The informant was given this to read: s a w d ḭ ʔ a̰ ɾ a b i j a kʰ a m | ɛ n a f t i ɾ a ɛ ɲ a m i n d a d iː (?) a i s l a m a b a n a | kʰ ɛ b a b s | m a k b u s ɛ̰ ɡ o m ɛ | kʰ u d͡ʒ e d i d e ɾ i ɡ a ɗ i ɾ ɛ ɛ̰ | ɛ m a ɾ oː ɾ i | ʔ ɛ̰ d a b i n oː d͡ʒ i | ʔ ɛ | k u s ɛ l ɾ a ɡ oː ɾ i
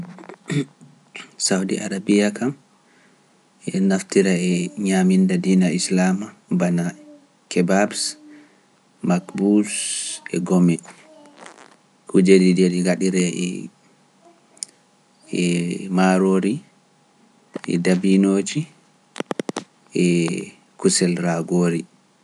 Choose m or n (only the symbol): n